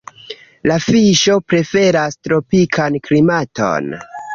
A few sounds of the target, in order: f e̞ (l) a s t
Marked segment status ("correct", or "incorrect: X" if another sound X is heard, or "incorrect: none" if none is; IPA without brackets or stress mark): incorrect: ɾ